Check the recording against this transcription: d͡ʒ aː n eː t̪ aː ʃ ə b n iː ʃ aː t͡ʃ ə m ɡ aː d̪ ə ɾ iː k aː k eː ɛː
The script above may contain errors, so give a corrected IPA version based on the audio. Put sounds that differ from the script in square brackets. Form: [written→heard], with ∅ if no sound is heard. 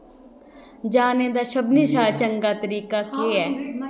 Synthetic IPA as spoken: d͡ʒ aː n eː [t̪→d̪] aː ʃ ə b n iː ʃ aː t͡ʃ ə [m→ŋ] ɡ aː [d̪→t̪] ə ɾ iː k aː k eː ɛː